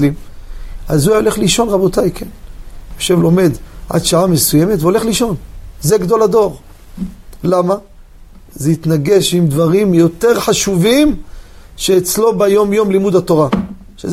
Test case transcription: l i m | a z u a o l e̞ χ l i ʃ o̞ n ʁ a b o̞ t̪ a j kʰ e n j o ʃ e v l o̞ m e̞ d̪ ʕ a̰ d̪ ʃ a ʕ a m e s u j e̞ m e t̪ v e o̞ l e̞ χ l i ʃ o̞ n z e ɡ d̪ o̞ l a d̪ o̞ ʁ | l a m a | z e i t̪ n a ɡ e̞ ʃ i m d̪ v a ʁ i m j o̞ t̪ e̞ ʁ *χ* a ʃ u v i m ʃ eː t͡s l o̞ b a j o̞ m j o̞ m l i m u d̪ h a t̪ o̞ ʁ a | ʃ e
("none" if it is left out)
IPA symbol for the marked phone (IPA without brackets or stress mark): ħ